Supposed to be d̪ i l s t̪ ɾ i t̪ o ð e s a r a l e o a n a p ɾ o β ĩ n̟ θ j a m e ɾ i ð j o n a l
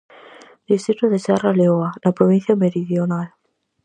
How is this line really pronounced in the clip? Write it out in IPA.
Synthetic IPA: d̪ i s t̪ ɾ i t̪ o ð e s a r a l e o a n a p ɾ o β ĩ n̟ θ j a m e ɾ i ð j o n a l

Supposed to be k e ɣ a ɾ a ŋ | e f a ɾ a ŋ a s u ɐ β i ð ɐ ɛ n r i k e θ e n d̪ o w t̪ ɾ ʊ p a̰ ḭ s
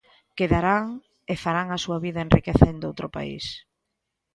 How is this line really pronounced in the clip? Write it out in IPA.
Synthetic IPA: k e ð a ɾ a ŋ | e f a ɾ a ŋ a s u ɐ β i ð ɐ e n r i k e θ e n d̪ o w t̪ ɾ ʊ p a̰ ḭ s

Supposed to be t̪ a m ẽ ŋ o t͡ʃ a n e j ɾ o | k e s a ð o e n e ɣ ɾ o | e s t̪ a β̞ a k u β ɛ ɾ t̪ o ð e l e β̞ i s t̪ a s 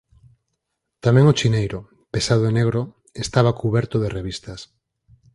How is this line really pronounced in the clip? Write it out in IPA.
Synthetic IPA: t̪ a m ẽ ŋ o t͡ʃ i n e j ɾ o | p e s a ð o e n e ɣ ɾ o | e s t̪ a β̞ a k u β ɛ ɾ t̪ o ð e r e β̞ i s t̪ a s

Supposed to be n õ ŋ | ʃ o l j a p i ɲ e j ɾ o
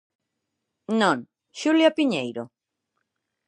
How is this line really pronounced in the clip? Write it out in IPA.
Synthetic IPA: n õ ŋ | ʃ u l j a p i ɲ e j ɾ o

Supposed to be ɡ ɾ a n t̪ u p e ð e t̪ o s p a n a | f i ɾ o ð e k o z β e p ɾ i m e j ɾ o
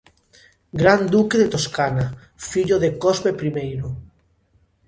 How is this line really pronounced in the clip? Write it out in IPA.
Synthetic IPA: ɡ ɾ a n d̪ u k e ð e t̪ o s k a n a | f i ʎ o ð e k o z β e p ɾ i m e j ɾ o

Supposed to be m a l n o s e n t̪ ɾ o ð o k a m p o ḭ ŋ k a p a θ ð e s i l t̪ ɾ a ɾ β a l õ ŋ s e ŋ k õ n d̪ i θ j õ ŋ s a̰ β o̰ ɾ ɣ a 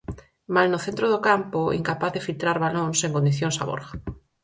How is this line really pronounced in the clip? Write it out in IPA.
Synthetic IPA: m a l n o θ e n t̪ ɾ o ð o k a m p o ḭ ŋ k a p a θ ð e f i l t̪ ɾ a ɾ β a l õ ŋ s e ŋ k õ n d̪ i θ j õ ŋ s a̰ β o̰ ɾ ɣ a

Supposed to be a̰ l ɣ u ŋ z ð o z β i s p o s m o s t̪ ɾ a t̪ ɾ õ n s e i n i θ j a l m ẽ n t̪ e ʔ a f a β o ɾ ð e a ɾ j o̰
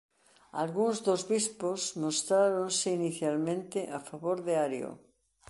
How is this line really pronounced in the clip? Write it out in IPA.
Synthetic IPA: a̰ l ɣ u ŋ z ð o z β i s p o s m o s t̪ ɾ a ɾ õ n s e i n i θ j a l m ẽ n t̪ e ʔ a f a β o ɾ ð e a ɾ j o̰

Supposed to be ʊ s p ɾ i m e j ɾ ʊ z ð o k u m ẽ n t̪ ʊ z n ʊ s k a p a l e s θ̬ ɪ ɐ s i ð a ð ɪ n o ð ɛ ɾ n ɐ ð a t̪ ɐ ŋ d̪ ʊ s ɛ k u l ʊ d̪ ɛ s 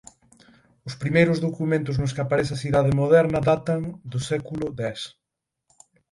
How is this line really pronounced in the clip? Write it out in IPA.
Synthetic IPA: ʊ s p ɾ i m e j ɾ ʊ z ð o k u m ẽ n t̪ ʊ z n ʊ s k a p a ɾ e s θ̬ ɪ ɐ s i ð a ð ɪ m o ð ɛ ɾ n ɐ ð a t̪ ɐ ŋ d̪ ʊ s ɛ k u l ʊ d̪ ɛ s

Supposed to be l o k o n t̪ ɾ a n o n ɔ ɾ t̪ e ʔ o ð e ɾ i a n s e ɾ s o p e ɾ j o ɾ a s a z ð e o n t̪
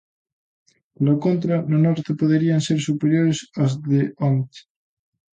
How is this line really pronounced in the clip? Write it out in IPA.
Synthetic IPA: l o k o n t̪ ɾ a n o n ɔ ɾ t̪ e p o ð e ɾ i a n s e ɾ s u p e ɾ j o ɾ e s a z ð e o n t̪

